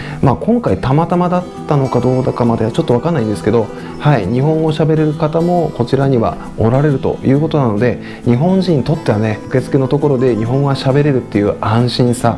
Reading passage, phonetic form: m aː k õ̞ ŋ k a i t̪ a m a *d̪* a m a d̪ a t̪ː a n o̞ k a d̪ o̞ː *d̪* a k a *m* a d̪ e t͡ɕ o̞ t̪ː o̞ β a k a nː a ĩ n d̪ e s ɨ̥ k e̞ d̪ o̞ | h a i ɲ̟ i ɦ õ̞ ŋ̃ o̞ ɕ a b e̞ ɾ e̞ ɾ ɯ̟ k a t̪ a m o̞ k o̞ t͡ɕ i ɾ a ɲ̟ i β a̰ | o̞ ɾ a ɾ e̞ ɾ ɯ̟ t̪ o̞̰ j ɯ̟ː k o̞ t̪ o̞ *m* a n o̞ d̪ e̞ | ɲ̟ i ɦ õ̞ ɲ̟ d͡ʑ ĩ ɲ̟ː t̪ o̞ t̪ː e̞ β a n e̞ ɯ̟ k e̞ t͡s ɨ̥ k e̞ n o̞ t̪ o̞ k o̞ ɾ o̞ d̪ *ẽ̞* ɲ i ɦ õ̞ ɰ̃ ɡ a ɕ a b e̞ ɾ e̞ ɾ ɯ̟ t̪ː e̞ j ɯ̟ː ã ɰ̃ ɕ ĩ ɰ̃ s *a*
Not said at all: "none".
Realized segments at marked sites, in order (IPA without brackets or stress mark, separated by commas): t̪, d̪, m, n, e̞, a